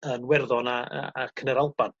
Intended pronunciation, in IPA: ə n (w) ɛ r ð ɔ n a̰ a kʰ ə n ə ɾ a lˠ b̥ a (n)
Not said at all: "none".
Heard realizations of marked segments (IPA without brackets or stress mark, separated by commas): w, n